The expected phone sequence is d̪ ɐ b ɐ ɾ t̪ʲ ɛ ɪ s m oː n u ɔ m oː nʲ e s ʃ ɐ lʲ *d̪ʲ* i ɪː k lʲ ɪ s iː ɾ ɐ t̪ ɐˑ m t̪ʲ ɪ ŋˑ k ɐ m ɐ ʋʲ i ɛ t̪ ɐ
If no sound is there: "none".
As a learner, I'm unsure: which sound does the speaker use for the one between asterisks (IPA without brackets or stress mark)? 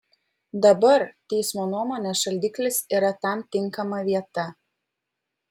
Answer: d̪ʲ